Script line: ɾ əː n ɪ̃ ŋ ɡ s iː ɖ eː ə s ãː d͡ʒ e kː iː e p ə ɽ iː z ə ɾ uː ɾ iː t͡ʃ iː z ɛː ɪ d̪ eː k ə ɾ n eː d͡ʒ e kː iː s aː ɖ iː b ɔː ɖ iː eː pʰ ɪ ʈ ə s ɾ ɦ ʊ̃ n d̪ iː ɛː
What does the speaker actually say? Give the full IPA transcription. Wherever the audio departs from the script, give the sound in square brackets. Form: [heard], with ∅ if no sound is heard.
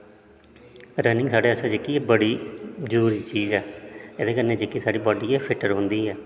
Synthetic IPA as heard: ɾ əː n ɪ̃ ŋ ɡ s [aː] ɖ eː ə s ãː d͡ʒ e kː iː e [b] ə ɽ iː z ə ɾ uː ɾ iː t͡ʃ iː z ɛː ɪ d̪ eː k ə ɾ n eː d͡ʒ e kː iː s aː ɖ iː b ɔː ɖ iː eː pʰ ɪ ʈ ə [∅] ɾ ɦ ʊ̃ n d̪ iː ɛː